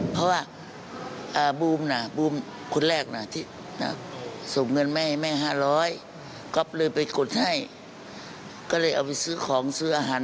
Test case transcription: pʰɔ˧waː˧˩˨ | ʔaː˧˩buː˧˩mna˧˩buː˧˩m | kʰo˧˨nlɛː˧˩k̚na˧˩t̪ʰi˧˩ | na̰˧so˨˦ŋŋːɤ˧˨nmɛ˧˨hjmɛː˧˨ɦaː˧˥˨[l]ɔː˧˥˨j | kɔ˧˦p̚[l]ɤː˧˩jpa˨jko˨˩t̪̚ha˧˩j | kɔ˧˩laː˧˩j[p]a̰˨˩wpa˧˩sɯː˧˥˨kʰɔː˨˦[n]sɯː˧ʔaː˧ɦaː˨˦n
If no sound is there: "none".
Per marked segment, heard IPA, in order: l, l, ʔ, ŋ

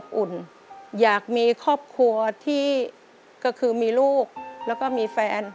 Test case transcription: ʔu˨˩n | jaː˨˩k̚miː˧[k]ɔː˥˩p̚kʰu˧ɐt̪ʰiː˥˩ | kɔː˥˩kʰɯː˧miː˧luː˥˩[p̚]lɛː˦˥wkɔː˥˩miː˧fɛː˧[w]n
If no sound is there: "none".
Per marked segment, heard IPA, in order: kʰ, k̚, none

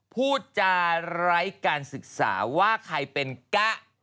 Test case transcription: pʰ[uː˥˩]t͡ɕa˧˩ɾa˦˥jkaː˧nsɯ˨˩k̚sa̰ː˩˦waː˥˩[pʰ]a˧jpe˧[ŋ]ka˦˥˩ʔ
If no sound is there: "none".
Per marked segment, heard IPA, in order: uː˥˩, kʰ, n

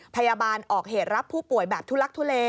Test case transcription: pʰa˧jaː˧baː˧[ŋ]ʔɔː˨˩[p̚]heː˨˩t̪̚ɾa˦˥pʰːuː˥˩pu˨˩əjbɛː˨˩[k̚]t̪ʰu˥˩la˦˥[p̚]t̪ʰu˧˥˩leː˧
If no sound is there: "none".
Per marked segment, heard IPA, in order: n, k̚, p̚, k̚

